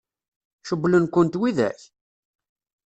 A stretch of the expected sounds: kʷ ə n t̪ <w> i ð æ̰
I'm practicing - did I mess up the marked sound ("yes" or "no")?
no